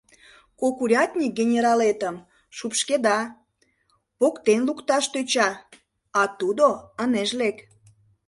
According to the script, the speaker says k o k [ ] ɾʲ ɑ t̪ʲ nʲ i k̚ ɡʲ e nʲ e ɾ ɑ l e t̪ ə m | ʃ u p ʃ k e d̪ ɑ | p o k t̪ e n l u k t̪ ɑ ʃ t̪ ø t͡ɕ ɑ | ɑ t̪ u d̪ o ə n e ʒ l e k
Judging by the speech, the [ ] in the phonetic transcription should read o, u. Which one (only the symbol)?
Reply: u